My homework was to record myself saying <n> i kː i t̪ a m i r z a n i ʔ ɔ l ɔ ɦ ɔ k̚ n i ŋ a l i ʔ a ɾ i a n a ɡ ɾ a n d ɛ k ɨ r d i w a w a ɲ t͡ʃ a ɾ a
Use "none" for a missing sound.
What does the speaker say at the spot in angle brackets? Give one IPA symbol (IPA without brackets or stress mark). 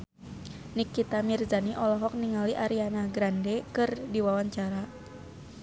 n